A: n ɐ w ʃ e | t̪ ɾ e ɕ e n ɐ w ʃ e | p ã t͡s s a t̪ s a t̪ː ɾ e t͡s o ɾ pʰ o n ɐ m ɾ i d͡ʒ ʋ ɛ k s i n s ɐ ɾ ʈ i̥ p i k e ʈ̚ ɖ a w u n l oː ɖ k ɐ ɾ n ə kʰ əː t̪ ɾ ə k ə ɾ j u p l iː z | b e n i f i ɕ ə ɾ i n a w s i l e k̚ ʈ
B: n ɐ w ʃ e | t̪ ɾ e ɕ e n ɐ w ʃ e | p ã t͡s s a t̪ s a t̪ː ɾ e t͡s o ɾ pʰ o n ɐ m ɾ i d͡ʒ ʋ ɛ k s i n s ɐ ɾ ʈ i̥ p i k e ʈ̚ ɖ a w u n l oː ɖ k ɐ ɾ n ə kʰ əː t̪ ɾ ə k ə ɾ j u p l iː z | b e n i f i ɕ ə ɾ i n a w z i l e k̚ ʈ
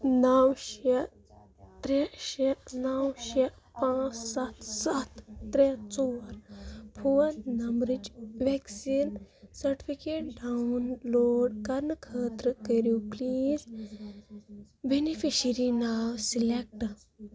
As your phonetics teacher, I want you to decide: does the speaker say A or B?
A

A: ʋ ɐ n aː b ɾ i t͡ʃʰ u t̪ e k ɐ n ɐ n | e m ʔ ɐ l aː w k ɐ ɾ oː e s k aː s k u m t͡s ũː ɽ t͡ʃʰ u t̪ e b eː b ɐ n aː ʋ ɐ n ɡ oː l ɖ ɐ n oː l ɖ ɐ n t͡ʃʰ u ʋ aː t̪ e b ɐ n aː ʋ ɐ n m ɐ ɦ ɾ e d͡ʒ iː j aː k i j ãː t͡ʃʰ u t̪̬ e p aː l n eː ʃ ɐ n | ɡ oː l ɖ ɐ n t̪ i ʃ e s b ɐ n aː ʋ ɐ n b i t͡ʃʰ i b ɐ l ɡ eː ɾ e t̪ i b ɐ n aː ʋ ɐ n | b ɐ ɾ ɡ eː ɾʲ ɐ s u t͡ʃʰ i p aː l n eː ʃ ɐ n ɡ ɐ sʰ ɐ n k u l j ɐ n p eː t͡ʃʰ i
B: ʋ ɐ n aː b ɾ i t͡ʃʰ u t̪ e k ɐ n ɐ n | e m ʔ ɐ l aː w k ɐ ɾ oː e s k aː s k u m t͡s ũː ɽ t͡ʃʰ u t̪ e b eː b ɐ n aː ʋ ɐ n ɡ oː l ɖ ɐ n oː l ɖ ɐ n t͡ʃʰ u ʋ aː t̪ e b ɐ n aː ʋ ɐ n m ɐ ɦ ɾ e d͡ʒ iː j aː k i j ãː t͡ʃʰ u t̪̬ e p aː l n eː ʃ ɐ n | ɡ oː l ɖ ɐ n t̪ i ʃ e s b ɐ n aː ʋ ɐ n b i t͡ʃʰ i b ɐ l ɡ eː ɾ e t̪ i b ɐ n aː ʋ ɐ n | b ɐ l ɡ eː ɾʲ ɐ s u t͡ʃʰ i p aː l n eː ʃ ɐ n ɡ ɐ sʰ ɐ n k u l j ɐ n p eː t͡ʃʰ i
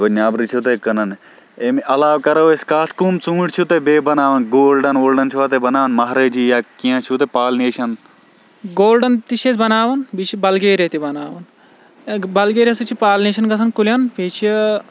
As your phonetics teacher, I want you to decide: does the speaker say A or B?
B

